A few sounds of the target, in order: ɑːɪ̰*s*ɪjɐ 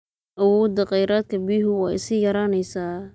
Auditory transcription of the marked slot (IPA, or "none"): s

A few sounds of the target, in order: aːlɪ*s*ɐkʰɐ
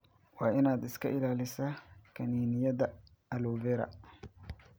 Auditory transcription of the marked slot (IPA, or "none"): s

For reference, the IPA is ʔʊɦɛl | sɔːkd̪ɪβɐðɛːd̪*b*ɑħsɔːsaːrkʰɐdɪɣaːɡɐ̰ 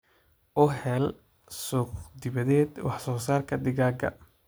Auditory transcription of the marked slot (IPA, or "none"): w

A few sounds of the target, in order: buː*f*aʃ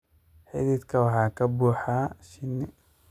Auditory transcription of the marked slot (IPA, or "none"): ħ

